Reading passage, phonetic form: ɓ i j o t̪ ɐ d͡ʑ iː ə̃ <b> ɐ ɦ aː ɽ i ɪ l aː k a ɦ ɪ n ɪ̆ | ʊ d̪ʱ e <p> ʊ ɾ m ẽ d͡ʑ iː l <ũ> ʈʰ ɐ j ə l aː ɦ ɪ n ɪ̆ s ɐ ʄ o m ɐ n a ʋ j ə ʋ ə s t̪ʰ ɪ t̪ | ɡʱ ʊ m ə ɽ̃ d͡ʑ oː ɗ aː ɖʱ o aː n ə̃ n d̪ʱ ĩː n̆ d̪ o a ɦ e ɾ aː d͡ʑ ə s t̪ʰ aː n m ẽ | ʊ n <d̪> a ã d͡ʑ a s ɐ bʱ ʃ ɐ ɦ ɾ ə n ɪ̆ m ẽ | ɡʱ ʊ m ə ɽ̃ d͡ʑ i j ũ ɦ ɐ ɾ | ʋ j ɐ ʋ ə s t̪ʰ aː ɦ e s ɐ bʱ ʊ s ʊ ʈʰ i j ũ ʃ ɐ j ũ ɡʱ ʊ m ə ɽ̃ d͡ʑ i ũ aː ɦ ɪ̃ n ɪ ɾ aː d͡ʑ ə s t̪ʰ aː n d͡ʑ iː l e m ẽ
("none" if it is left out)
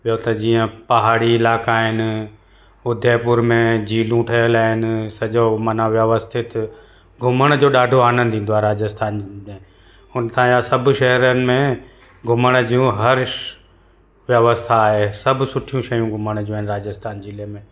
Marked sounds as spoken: p, p, ũ, t̪

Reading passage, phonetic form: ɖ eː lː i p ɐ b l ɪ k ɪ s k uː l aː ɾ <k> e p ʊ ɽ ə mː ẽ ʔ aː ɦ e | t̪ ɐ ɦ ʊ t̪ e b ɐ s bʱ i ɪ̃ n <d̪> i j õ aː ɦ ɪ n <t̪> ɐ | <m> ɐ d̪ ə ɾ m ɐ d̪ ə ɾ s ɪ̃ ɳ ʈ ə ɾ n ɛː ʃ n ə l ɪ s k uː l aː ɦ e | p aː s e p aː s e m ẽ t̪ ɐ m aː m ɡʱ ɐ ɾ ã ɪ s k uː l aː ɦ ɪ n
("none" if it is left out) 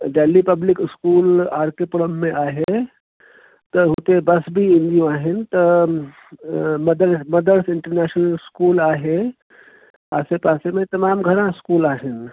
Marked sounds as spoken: k, d̪, t̪, m

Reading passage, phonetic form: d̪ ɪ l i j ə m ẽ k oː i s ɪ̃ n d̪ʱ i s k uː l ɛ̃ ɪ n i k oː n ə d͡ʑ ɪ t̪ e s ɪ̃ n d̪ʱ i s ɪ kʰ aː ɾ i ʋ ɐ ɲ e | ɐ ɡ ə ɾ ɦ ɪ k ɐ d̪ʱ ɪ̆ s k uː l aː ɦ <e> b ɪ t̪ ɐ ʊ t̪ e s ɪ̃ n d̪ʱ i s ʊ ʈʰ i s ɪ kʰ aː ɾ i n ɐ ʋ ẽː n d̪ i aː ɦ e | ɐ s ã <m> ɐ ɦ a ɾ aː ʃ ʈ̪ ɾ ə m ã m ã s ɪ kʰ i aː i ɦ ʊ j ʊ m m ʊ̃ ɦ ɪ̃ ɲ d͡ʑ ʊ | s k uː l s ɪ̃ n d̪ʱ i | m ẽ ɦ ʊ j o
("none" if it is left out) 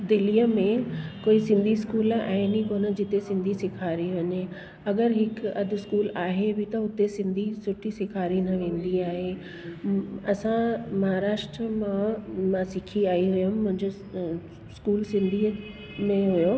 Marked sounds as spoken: e, m

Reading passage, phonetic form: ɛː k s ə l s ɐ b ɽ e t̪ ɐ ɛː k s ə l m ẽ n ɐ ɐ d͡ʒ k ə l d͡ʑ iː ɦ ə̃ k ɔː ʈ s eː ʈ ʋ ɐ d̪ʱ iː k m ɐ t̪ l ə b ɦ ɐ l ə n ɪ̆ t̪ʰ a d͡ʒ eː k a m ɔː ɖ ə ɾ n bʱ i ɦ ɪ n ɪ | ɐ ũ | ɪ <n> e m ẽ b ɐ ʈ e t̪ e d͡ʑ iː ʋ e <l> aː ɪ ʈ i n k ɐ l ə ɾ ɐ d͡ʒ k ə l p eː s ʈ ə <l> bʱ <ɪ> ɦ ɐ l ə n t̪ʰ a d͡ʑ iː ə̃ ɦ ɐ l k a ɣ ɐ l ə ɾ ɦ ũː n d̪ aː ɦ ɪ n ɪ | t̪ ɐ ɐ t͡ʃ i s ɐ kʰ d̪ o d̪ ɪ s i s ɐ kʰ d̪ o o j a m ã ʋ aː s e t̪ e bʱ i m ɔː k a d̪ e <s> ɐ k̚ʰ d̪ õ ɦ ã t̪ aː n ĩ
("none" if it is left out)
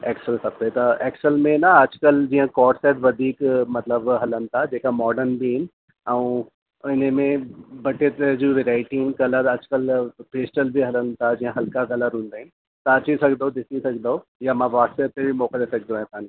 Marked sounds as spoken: n, ɾ, l, i, s

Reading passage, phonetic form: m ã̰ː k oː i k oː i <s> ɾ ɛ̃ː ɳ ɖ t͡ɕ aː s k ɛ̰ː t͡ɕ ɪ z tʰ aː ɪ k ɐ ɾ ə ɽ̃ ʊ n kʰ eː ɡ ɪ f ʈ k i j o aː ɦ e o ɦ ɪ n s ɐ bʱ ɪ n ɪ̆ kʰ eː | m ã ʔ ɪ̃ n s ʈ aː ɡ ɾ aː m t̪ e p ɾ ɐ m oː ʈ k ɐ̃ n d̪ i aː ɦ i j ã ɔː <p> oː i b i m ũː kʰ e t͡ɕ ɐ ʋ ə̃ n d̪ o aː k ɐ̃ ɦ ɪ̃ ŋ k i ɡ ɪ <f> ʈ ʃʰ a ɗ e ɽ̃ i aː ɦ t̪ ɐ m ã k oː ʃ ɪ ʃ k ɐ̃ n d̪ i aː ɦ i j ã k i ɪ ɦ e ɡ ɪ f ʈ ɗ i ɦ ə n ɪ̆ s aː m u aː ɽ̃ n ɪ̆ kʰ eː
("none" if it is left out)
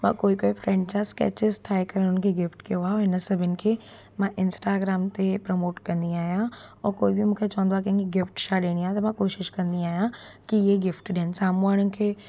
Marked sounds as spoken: f, k, f

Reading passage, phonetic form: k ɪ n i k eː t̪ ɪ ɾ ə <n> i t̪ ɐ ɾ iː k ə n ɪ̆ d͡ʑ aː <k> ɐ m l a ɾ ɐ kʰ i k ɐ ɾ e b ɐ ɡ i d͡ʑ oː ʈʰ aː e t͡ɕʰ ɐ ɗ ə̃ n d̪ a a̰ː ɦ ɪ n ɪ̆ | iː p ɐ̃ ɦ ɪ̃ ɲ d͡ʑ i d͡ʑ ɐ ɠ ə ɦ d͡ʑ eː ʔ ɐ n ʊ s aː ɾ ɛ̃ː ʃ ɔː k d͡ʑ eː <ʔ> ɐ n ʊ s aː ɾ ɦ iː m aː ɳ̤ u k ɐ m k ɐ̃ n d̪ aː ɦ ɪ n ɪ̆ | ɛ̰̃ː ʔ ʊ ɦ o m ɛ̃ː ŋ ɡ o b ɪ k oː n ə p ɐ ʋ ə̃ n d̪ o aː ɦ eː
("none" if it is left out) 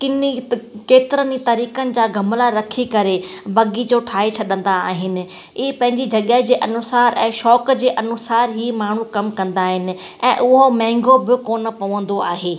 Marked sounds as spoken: n, ɡ, ʔ

